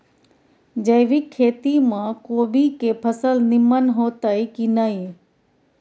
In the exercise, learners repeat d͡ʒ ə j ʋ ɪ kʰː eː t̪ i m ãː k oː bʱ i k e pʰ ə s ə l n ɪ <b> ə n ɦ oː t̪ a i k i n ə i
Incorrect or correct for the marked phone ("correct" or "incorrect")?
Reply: incorrect